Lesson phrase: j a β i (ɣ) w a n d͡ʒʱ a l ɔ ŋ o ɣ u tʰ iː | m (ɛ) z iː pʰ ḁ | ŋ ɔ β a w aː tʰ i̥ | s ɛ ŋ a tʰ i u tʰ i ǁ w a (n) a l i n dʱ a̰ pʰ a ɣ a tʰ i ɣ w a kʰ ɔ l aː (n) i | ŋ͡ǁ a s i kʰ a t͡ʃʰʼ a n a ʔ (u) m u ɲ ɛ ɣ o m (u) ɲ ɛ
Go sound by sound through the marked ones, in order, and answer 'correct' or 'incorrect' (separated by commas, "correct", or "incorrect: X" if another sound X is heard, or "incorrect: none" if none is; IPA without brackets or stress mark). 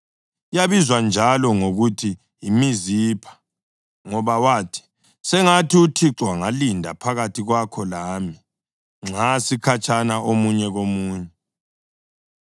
incorrect: z, incorrect: i, incorrect: ŋ, incorrect: m, incorrect: o, incorrect: uː